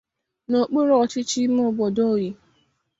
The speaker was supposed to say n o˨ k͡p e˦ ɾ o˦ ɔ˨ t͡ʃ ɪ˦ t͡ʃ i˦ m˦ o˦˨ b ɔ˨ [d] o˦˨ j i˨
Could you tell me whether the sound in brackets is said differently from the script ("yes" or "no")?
no